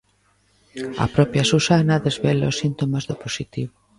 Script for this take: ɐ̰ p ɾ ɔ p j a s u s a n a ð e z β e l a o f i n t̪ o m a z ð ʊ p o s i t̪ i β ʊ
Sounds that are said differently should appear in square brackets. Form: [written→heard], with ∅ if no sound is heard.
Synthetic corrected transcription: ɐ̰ p ɾ ɔ p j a s u s a n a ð e z β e l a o [f→s] i n t̪ o m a z ð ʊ p o s i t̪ i β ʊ